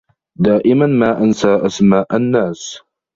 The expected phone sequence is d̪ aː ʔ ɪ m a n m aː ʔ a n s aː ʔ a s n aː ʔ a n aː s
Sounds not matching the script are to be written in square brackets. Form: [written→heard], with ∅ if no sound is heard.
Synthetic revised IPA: d̪ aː ʔ ɪ m a n m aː ʔ a n s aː ʔ a s [n→m] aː ʔ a [n→nː] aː s